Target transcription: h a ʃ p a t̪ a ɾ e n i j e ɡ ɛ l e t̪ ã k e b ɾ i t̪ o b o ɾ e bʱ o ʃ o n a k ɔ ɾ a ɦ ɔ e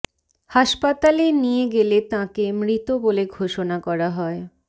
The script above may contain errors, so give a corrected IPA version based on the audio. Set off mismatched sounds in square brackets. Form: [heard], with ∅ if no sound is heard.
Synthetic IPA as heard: h a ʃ p a t̪ a [l] e n i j e ɡ [e] l e t̪ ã k e [m] ɾ i t̪ o b o [l] e [ɡʱ] o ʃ o n a k ɔ ɾ a ɦ ɔ e

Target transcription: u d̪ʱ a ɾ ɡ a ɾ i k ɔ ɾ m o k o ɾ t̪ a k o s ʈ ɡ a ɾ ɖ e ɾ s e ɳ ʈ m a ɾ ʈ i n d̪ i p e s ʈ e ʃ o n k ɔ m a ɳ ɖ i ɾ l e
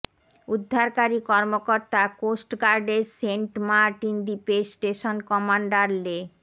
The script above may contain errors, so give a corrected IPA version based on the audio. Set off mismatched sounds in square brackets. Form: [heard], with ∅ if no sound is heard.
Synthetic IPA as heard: u [d̪ʱː] a ɾ [k] a ɾ i k ɔ ɾ m o k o ɾ t̪ a k o s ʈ ɡ a ɾ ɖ e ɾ s e ɳ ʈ m a ɾ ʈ i n d̪ i p e s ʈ e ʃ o n k ɔ m a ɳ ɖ [a] ɾ l e

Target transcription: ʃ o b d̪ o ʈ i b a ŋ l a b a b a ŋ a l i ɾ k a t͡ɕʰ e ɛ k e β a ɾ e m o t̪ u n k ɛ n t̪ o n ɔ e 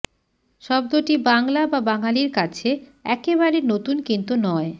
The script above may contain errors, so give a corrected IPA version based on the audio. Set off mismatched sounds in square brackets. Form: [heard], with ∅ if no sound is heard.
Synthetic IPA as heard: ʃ [ɔ] b d̪ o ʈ i b a ŋ l a b a b a ŋ a l i ɾ k a t͡ɕʰ e ɛ k e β a ɾ e [n] o t̪ u n k [i] n t̪ [u] n ɔ e

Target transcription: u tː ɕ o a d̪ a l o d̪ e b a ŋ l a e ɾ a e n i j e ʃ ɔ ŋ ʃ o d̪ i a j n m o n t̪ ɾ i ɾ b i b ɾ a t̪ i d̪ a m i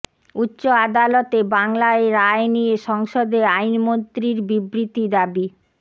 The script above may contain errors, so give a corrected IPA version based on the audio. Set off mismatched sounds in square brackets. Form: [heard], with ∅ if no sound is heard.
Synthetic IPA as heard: u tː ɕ o a d̪ a l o [t̪] e b a ŋ l a e ɾ a e n i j e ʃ ɔ ŋ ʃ o d̪ [e] a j n m o n t̪ ɾ i ɾ b i b ɾ [i] t̪ i d̪ a [b] i

